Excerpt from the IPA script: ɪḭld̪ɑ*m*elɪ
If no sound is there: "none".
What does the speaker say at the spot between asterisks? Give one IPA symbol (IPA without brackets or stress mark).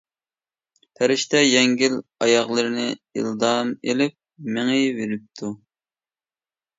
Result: m